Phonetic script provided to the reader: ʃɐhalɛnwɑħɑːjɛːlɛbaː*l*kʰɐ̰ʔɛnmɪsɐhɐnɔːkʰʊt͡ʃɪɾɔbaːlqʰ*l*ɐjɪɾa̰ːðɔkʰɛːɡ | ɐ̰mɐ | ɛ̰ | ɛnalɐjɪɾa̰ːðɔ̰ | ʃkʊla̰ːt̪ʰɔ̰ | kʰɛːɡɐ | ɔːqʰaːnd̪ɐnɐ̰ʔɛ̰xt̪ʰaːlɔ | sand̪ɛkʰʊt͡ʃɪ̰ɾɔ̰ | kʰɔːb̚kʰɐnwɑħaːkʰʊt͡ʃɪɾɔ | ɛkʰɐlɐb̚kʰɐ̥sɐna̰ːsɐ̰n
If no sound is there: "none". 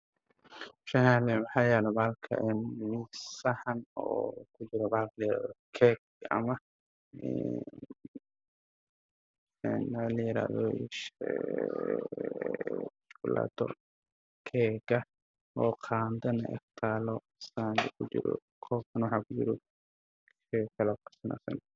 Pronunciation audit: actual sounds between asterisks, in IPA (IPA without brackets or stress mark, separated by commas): l, l